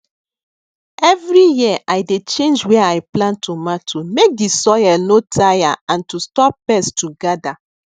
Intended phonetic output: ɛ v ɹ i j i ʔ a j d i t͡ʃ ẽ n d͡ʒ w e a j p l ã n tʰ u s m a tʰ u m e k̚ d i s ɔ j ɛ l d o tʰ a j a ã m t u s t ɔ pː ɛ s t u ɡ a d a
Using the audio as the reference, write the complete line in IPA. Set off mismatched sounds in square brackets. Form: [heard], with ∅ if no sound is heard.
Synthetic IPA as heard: ɛ v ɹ i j i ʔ a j d [e] t͡ʃ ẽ n d͡ʒ w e a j p l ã n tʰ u [∅] m a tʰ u m e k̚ d i s ɔ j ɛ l [n] o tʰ a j a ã [n] t u s t ɔ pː ɛ s t u ɡ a d a